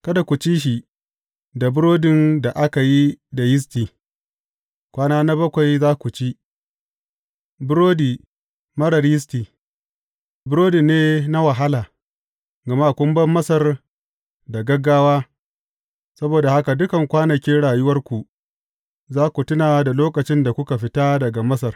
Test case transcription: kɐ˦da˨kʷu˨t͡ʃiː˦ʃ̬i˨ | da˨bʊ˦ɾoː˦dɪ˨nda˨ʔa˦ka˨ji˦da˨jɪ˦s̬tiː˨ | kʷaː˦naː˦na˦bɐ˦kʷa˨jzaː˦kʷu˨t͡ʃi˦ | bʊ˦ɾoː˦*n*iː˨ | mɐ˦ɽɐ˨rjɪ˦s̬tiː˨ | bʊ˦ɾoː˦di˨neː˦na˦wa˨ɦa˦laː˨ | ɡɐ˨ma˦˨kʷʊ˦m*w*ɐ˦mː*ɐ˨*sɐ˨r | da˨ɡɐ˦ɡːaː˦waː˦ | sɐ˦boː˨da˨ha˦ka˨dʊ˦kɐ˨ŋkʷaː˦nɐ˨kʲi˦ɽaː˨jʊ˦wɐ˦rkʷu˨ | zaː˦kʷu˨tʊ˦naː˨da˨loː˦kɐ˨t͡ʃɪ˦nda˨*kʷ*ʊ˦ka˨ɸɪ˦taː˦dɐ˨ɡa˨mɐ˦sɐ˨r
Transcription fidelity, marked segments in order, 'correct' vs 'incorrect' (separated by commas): incorrect, incorrect, incorrect, correct